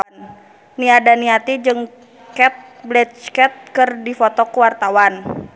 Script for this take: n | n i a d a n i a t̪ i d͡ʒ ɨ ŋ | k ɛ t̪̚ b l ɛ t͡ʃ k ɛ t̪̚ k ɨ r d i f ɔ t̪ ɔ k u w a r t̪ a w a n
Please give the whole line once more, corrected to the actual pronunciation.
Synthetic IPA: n | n i a d a n i a t̪ i d͡ʒ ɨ ŋ | k ɛ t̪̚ b l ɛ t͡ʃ k ɛ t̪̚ k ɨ r d i f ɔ t̪ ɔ k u w a r t̪ a w a n